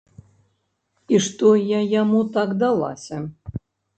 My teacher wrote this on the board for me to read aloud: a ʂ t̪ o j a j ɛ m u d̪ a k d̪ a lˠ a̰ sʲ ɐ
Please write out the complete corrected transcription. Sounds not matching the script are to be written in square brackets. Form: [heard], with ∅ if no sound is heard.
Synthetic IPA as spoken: [i] ʂ t̪ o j a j [a] m u [t̪] a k d̪ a lˠ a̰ sʲ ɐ